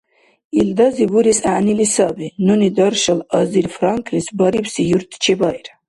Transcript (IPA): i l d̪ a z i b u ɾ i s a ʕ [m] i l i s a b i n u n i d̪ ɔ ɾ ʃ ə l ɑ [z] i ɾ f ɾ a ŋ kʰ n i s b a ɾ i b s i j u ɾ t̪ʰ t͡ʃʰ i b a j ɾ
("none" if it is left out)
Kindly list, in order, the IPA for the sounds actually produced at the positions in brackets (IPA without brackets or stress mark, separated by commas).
n, z